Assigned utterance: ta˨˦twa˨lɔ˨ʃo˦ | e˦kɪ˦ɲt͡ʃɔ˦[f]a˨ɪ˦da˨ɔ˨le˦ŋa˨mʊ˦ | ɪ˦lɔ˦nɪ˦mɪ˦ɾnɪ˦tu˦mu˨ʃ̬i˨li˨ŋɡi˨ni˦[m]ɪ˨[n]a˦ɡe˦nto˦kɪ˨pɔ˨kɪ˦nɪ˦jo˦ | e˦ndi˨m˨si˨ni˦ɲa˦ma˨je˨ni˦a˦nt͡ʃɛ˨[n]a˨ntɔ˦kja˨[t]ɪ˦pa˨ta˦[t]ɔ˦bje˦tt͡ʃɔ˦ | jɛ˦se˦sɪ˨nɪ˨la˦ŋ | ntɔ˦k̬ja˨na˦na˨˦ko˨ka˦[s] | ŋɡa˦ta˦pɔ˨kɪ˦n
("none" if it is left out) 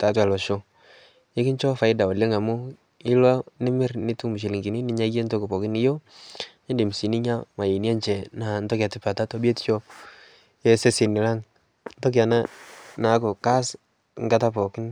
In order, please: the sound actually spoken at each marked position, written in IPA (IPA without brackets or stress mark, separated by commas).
f, n, ɲ, n, t, t, s